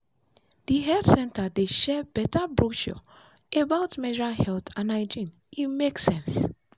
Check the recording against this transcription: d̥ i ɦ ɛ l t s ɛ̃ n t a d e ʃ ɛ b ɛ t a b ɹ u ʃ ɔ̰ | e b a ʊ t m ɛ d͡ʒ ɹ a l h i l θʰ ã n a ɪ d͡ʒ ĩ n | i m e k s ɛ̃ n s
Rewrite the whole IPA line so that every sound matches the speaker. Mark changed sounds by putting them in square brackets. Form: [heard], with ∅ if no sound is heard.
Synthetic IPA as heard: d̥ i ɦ ɛ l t s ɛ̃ n t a d e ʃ ɛ b ɛ t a b ɹ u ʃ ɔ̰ | e b a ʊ t m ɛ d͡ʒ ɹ a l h [ɛ] l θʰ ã n a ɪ d͡ʒ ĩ n | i m e k s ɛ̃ n s